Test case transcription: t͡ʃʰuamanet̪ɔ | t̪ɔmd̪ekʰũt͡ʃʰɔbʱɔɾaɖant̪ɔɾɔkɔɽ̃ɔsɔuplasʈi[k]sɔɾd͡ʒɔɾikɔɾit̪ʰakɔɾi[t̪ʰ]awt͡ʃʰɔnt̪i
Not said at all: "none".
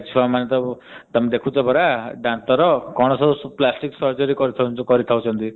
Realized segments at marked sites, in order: k, t̪ʰ

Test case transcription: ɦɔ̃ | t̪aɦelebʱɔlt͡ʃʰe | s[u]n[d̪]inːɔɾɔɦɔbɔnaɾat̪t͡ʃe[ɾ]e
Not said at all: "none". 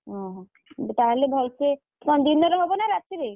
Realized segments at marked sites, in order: ɔ, d̪, ɾ

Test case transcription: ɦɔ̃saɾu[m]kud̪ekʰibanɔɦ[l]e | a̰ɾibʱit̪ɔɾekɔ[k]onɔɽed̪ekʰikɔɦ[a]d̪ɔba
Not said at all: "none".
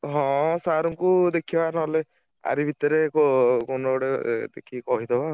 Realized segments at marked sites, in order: ŋ, l, k, i

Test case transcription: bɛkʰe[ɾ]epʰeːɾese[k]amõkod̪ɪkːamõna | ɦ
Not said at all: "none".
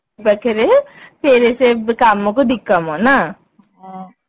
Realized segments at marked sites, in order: ɾ, k

